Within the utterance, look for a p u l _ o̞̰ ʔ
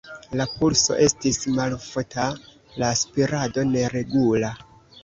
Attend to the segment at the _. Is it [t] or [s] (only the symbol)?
s